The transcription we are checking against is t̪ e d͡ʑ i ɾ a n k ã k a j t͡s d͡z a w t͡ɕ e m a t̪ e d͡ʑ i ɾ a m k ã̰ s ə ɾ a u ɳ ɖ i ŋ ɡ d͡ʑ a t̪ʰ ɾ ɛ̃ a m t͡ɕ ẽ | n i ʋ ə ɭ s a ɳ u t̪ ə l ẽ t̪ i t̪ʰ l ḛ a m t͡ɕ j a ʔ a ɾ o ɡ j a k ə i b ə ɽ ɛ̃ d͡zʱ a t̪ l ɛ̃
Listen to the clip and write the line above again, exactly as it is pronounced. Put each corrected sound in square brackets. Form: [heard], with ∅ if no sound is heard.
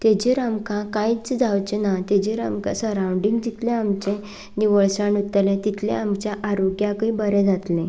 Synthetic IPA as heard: t̪ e d͡ʑ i ɾ a [m] k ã k a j t͡s d͡z a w t͡ɕ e [n] a t̪ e d͡ʑ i ɾ a m k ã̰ s ə ɾ a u ɳ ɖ i ŋ ɡ d͡ʑ [i] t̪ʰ [l] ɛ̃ a m t͡ɕ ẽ | n i ʋ ə ɭ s a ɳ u t̪ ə l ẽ t̪ i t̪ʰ l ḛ a m t͡ɕ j a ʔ a ɾ o ɡ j a k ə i b ə [ɾ] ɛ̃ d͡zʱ a t̪ l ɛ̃